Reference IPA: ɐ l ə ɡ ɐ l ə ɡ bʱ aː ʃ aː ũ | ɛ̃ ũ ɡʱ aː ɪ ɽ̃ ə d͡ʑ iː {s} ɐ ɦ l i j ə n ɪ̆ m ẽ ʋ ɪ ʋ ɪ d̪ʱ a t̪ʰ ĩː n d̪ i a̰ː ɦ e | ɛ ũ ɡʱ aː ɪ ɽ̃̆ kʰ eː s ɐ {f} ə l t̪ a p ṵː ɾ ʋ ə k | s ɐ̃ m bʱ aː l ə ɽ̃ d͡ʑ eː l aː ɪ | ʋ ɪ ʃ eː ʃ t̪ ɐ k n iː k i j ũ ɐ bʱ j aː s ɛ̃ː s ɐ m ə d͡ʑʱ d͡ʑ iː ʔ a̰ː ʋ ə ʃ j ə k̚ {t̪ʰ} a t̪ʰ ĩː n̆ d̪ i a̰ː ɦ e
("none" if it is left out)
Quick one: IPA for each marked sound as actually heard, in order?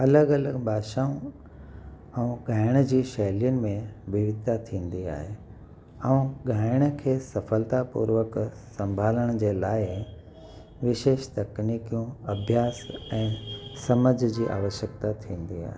ʃ, f, t̪

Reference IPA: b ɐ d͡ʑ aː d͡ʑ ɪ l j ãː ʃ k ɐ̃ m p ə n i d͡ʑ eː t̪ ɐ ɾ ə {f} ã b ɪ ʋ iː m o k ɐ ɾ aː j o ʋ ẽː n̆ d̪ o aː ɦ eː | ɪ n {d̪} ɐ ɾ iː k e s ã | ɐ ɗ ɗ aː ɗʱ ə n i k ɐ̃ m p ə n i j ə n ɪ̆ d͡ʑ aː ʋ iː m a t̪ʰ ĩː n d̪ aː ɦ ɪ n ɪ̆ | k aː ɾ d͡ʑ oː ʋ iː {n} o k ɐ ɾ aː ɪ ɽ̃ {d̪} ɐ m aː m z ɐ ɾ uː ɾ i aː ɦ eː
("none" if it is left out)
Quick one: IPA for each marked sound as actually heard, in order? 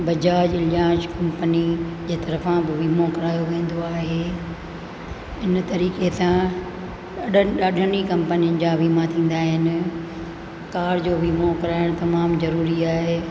f, t̪, m, t̪

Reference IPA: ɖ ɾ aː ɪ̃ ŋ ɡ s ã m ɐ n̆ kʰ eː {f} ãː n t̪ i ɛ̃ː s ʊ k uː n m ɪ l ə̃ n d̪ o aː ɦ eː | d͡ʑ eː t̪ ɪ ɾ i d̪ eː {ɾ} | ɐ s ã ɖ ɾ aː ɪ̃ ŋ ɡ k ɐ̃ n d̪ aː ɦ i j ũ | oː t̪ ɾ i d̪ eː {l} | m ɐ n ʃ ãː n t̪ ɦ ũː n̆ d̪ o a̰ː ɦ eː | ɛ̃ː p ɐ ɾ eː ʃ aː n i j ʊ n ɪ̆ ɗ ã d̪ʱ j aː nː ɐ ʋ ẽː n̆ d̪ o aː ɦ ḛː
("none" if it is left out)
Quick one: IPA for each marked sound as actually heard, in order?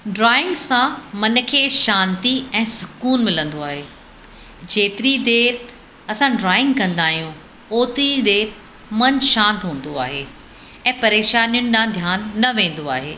ʃ, ɾ, ɾ

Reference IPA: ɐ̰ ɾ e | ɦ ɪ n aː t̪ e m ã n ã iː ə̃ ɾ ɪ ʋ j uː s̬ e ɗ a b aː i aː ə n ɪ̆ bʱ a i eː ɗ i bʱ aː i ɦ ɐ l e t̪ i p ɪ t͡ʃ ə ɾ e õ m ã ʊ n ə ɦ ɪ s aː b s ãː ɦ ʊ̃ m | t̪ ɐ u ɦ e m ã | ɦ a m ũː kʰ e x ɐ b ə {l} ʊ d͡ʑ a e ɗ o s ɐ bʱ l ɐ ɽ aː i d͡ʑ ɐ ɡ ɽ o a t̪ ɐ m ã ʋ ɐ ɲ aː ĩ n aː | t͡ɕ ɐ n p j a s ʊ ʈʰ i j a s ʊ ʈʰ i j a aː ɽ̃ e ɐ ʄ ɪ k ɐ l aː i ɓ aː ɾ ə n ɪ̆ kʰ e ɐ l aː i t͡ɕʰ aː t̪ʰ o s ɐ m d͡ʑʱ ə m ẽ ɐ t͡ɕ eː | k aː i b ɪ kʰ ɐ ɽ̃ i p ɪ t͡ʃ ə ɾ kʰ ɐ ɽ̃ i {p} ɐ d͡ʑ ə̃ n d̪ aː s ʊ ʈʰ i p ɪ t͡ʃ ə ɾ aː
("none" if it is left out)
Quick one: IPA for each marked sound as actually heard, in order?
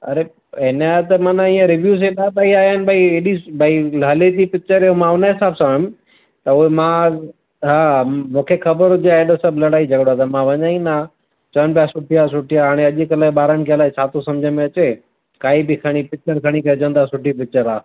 ɾ, k

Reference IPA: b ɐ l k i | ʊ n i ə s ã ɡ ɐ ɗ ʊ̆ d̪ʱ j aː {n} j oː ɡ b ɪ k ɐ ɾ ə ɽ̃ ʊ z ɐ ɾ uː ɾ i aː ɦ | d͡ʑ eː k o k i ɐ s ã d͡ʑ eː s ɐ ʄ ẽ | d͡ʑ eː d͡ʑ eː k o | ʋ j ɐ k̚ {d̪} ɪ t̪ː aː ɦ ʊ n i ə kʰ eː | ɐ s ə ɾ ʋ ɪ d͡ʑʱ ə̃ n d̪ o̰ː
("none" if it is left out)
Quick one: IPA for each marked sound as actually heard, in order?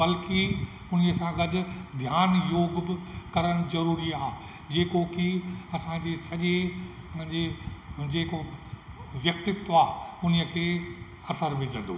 n, t̪

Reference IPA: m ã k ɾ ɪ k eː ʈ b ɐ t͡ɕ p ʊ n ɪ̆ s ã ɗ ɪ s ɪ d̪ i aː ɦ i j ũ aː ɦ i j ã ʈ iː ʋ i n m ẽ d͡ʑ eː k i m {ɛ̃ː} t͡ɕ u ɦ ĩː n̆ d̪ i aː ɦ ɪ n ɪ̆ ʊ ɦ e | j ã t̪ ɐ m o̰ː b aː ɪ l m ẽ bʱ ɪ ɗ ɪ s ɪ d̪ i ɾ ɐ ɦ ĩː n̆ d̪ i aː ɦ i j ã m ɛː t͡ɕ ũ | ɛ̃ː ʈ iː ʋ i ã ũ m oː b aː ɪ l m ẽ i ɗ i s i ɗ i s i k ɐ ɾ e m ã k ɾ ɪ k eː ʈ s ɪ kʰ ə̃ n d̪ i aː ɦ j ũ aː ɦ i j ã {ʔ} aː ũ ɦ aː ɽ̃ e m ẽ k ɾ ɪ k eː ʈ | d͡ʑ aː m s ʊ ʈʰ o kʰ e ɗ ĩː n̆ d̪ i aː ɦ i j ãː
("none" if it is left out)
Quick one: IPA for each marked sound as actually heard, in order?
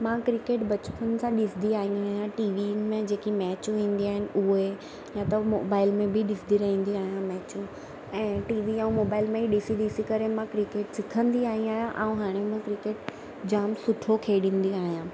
ɛː, ʔ

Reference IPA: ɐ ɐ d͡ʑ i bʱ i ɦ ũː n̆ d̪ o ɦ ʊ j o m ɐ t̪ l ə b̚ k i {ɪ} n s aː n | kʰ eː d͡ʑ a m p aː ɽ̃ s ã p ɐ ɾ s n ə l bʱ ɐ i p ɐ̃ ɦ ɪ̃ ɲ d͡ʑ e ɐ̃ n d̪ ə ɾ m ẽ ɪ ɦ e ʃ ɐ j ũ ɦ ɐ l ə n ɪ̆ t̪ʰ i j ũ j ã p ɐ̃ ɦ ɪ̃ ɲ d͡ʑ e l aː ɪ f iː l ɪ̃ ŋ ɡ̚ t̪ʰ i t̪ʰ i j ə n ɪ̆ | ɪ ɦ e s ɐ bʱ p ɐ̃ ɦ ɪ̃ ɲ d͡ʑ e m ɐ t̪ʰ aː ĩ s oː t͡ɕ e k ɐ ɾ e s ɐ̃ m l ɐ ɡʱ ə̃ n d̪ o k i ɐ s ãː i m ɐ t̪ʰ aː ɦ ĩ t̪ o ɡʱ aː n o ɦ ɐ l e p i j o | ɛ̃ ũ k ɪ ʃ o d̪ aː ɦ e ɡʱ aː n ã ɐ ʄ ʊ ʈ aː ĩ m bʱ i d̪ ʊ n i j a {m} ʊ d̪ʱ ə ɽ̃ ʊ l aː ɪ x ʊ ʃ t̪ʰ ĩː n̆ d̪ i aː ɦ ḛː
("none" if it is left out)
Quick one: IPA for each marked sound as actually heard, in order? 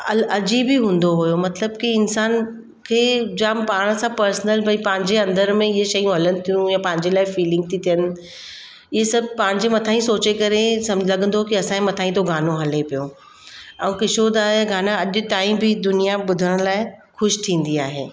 ɪ, b

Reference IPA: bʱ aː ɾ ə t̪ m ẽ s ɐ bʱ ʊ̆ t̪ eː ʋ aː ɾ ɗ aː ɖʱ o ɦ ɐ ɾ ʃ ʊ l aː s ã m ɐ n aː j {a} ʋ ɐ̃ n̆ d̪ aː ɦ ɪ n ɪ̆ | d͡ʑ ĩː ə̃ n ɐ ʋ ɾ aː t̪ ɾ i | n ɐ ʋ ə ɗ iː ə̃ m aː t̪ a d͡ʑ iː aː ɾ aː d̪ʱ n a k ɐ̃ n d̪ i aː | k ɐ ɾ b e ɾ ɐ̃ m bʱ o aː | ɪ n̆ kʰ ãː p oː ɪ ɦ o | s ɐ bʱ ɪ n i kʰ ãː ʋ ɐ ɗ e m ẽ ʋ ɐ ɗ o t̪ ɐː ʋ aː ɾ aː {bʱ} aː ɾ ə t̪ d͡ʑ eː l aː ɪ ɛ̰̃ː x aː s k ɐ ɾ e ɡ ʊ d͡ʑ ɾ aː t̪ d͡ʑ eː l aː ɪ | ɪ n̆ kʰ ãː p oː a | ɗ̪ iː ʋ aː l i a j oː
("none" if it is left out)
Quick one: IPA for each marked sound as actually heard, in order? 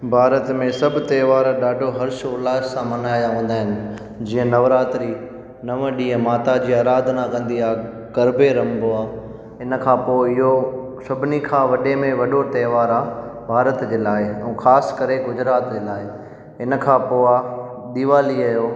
a, bʱ

